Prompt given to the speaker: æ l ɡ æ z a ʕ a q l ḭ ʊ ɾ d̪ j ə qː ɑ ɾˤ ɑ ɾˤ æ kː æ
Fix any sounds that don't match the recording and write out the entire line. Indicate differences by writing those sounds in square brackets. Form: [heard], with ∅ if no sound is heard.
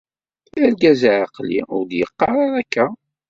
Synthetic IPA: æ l ɡ æ z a ʕ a q l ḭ ʊ ɾ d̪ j ə qː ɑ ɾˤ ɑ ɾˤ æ kː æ

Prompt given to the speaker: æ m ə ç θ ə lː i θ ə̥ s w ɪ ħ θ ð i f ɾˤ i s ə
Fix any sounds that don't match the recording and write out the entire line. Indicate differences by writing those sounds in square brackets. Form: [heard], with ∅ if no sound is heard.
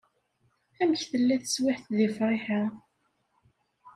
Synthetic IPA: æ m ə ç θ ə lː [æ] θ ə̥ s w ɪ ħ θ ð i f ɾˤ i [ħ] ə

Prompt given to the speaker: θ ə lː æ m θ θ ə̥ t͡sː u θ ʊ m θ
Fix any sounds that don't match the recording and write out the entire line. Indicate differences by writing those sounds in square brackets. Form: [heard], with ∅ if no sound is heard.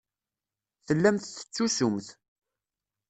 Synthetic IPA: θ ə lː æ m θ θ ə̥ t͡sː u [s] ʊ m θ

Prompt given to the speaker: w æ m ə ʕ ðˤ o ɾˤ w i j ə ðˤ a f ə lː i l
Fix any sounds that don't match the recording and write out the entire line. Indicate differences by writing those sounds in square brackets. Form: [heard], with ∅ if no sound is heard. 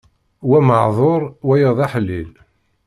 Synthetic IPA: w æ m ə ʕ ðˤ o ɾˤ w [æ] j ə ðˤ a [ħ] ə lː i l

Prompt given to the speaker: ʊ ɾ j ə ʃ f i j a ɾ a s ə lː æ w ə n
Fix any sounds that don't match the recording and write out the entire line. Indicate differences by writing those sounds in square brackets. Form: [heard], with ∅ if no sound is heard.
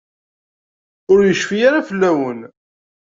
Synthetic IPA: ʊ ɾ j ə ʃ f i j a ɾ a [f] ə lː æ w ə n

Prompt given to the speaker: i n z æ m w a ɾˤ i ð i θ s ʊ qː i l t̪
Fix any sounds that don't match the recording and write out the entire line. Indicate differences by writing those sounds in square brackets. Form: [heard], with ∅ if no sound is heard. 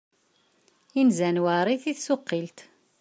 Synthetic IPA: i n z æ [n] w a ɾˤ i [θ] i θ s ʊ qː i l t̪

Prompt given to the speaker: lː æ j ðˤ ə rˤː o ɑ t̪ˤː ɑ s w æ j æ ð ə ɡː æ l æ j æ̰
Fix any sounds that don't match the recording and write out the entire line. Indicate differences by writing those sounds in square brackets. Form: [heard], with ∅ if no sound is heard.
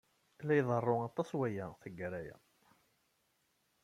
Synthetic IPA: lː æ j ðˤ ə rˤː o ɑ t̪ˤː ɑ s w æ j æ [θ] ə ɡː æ [ɾ] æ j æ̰

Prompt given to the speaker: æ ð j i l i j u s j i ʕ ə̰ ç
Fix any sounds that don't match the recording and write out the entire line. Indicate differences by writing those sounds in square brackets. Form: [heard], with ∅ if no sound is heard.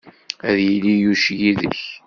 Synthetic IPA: æ ð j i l i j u [ʃ] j i [ð] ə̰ ç

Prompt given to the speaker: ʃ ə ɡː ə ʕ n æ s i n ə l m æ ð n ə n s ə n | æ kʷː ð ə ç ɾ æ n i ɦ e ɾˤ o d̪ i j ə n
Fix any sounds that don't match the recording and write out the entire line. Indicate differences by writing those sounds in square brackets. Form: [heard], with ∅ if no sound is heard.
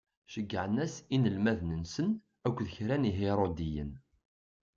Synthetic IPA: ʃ ə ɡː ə ʕ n æ s i n ə l m æ ð n ə n s ə n | æ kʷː ð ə ç ɾ æ n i ɦ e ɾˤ o d̪ i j ə n

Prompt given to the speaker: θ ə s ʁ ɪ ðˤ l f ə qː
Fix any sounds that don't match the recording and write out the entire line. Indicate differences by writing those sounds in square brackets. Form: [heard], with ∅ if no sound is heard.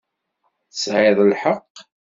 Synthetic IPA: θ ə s [ʕ] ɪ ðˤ l [ħ] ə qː

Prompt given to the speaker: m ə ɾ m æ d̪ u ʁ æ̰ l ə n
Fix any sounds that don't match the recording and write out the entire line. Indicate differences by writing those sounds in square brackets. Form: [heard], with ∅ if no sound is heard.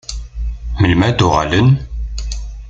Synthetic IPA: m ə [l] m æ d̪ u ʁ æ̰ l ə n

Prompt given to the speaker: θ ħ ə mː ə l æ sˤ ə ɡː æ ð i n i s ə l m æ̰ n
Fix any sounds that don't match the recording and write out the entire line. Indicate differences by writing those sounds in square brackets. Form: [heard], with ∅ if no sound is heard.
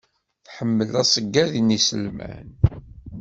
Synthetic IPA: θ ħ ə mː ə l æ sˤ ə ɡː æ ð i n i s ə l m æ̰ n

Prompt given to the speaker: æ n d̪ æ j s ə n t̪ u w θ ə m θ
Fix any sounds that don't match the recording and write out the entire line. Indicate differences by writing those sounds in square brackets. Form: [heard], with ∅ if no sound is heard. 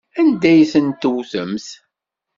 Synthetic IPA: æ n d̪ æ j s ə n t̪ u w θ ə m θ

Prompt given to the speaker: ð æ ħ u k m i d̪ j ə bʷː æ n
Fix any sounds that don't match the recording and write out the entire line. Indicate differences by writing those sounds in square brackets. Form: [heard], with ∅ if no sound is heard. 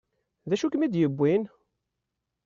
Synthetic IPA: ð æ [ʃ] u k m i d̪ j ə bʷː [i] n

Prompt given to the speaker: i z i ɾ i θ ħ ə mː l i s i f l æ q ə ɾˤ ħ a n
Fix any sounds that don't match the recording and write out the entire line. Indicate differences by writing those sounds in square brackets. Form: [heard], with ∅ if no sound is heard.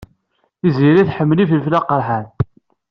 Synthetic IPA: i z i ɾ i θ ħ ə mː l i [f] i f l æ q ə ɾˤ ħ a n

